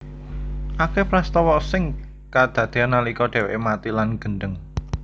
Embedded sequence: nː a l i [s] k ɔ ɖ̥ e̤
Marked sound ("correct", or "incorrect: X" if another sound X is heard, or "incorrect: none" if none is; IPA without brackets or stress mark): incorrect: none